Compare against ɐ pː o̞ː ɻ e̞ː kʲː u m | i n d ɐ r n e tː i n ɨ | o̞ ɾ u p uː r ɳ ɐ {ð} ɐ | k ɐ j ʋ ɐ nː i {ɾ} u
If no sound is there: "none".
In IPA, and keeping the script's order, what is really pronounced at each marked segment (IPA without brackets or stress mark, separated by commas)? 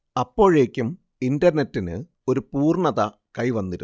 ð, ɾ